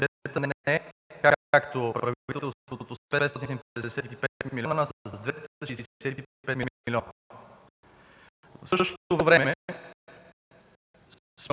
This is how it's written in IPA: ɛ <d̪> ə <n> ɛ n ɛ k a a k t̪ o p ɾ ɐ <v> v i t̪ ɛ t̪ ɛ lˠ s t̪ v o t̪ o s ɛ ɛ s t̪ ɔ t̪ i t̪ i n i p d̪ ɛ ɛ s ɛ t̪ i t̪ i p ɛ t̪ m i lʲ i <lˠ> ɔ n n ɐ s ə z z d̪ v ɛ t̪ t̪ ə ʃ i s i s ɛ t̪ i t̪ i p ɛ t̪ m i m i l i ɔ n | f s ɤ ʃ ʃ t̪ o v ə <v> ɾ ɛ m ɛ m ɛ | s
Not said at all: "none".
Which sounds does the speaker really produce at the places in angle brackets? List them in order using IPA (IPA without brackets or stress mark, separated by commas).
t̪, n, v, none, v